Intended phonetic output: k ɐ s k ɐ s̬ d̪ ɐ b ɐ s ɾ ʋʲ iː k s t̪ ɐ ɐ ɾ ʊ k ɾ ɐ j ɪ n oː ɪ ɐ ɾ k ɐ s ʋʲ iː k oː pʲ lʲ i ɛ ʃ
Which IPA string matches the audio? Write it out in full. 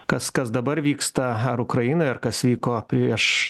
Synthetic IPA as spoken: k ɐ s k ɐ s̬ d̪ ɐ b ɐ ɾ ʋʲ iː k s t̪ ɐ ɐ ɾ ʊ k ɾ ɐ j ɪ n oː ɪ ɐ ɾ k ɐ s ʋʲ iː k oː pʲ ɾʲ i ɛ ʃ